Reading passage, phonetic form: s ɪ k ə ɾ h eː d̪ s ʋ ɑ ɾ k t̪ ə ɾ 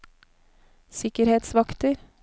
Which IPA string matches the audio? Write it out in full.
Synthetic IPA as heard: s ɪ k ə ɾ h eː t̪ s ʋ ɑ k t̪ ə ɾ